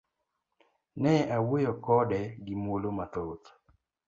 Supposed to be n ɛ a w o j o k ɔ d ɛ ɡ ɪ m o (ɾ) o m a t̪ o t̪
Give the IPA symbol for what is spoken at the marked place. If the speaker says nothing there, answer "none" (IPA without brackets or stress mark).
l